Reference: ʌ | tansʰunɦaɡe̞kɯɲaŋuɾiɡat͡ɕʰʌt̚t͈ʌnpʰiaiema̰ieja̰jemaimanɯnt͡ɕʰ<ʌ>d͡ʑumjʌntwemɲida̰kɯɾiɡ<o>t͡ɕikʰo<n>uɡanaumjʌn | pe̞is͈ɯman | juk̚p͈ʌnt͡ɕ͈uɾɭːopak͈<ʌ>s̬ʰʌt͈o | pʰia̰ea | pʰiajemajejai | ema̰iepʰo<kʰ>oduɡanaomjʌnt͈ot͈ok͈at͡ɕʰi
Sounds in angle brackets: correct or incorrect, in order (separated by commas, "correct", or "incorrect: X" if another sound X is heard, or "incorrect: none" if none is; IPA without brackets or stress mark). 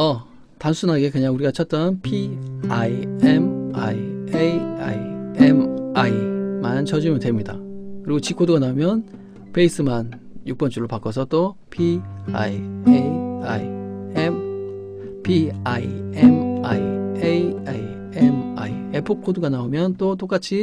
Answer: correct, correct, incorrect: d, correct, correct